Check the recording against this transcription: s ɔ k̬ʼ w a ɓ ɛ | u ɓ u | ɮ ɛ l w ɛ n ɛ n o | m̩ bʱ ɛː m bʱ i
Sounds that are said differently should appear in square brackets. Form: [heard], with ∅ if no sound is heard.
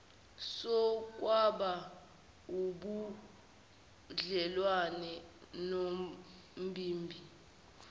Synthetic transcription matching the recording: s ɔ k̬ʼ w a ɓ [a] | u ɓ u | ɮ ɛ l w [a] n ɛ n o | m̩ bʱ [iː] m bʱ i